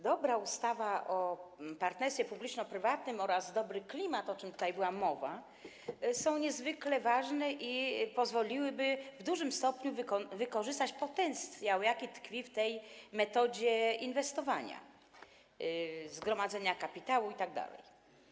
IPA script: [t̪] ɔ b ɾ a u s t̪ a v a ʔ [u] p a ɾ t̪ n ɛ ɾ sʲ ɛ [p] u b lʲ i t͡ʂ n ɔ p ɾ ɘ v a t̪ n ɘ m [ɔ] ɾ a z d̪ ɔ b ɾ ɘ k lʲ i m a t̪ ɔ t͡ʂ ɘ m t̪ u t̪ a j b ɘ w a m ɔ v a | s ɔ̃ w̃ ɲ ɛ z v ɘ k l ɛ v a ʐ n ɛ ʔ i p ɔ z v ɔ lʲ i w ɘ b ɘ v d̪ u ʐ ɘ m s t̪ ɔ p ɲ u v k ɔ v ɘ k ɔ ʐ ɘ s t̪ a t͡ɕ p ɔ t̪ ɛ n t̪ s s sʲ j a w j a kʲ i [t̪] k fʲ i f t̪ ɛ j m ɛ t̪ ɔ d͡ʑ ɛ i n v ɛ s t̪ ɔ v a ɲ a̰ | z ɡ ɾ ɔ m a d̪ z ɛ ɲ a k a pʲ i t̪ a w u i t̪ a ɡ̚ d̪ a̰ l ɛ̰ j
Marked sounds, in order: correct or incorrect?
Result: incorrect, incorrect, correct, correct, correct

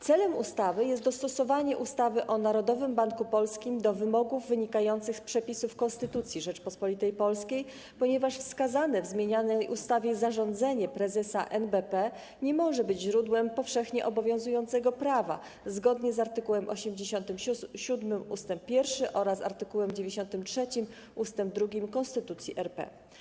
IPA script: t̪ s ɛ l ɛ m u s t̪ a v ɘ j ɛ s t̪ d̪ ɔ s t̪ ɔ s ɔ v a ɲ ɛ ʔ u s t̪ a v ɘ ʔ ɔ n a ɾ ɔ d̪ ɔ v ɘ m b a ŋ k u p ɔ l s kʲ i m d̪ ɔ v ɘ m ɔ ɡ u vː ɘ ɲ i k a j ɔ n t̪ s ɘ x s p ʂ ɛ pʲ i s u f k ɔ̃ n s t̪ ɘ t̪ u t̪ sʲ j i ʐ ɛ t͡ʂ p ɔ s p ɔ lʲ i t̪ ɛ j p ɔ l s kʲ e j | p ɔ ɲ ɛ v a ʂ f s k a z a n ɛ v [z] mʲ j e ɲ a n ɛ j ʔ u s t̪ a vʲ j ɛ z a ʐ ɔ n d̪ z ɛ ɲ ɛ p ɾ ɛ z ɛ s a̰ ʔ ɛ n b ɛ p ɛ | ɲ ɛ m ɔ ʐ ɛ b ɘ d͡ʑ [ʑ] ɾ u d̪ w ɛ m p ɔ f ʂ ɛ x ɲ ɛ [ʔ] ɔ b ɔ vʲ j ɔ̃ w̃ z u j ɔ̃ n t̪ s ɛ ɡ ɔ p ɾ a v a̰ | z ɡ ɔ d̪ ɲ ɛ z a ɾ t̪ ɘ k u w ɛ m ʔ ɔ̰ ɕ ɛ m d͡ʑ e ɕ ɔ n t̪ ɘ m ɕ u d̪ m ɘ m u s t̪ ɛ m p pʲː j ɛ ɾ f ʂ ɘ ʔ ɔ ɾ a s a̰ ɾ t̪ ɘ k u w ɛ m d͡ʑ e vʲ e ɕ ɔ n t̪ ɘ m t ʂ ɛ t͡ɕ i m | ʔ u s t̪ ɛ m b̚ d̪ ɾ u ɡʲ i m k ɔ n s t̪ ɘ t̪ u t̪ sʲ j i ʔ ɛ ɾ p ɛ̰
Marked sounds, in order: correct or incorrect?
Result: correct, correct, correct

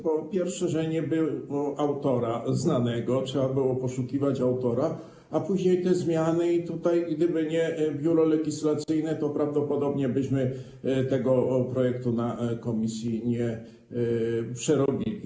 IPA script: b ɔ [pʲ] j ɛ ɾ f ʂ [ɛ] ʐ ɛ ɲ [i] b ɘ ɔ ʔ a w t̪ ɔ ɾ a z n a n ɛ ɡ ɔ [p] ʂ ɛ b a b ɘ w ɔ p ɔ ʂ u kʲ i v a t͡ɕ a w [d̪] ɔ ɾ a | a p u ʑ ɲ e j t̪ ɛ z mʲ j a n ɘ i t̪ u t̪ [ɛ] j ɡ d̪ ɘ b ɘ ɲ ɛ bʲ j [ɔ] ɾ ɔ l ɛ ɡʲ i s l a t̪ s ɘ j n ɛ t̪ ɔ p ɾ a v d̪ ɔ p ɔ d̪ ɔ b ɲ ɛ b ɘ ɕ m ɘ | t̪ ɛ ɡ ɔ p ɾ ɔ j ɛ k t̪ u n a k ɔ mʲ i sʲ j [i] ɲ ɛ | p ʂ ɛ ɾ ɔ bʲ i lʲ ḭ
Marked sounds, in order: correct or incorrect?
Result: correct, correct, incorrect, incorrect, incorrect, incorrect, incorrect, correct

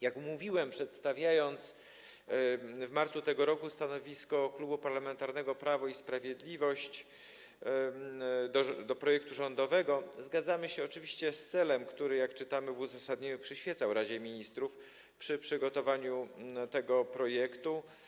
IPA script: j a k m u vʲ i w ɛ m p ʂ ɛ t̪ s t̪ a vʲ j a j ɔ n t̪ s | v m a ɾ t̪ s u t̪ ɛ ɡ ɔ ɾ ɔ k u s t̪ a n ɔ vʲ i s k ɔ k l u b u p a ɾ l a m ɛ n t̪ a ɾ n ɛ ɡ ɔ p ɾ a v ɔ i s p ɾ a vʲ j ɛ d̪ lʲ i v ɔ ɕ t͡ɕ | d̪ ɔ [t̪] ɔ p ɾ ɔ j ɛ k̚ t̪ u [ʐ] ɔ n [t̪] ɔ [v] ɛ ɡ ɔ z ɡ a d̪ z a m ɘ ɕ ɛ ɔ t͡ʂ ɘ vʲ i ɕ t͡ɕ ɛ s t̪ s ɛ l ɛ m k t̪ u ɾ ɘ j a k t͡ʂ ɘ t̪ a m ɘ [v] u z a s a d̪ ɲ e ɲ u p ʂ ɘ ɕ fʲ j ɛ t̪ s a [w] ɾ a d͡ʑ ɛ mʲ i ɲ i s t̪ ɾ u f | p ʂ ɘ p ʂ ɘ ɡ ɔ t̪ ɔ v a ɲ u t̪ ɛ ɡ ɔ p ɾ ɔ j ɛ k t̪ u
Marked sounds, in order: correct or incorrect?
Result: incorrect, correct, incorrect, correct, correct, correct

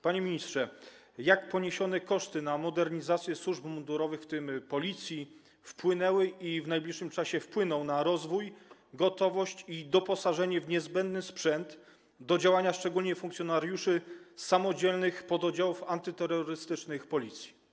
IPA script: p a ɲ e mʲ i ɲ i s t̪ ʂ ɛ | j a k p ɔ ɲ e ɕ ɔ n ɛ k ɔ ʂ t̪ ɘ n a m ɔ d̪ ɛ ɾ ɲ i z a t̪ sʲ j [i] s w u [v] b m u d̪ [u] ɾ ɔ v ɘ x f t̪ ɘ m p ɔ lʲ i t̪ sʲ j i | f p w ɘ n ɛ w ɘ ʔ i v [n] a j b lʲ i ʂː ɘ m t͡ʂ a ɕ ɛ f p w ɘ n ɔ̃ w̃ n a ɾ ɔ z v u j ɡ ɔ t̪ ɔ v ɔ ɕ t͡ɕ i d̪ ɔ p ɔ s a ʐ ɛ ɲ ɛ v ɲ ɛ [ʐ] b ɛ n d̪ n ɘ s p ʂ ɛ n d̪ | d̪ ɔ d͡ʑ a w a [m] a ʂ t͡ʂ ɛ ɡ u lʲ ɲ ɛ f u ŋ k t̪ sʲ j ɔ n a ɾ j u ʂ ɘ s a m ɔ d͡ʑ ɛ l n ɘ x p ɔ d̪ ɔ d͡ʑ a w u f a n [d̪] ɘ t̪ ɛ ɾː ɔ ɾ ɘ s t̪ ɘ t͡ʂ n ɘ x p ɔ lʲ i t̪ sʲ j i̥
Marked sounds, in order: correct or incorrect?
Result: incorrect, incorrect, correct, correct, incorrect, incorrect, incorrect

